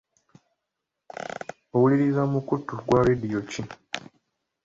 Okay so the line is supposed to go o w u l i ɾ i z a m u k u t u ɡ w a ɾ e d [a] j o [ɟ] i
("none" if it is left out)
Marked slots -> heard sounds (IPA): i, c

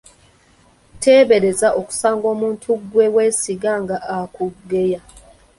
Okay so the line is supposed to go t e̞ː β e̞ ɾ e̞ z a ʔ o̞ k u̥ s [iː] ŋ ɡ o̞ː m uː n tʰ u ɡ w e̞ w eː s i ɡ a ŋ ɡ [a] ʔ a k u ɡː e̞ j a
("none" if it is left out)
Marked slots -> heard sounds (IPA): aː, a

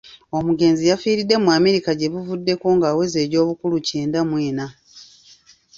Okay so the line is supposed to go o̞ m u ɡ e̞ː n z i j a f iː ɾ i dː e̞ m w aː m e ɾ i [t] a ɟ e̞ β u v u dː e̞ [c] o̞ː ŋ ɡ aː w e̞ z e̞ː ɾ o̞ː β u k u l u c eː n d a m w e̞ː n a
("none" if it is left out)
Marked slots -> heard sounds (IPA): k, k

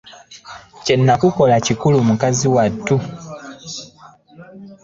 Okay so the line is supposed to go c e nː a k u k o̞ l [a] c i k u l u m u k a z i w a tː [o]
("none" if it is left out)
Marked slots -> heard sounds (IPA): a, u

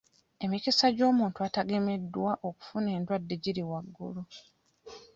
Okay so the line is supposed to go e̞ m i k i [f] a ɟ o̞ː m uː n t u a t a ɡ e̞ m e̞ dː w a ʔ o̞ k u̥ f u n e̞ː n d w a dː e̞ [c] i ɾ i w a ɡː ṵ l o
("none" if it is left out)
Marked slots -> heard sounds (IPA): s, ɟ

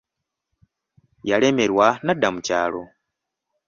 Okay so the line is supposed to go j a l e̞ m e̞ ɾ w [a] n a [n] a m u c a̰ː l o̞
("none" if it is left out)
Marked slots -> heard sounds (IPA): a, d

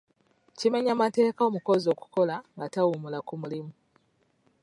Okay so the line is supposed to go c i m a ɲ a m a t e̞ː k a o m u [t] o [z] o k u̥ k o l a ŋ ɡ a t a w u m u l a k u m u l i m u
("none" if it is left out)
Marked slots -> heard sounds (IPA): k, z

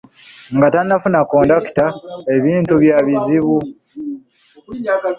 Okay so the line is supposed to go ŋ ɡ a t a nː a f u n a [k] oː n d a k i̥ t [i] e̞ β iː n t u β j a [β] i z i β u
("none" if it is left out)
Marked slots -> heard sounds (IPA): k, a, β

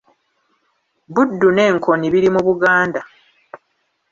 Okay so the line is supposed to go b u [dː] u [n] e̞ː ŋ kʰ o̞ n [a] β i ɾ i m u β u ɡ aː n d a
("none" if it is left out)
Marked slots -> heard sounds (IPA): dː, n, i

